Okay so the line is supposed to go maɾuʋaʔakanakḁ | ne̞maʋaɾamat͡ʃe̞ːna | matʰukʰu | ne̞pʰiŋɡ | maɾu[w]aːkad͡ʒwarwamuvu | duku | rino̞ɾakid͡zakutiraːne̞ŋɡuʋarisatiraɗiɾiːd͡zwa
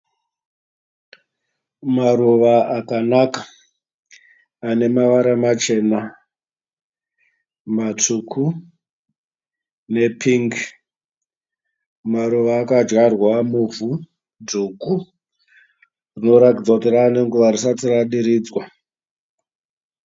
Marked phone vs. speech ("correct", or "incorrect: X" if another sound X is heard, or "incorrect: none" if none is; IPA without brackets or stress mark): incorrect: ʋ